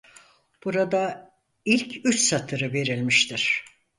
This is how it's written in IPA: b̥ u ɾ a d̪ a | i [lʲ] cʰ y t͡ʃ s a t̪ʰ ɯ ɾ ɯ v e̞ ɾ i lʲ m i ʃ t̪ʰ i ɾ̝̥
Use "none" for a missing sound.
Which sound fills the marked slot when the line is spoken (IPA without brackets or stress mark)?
lʲ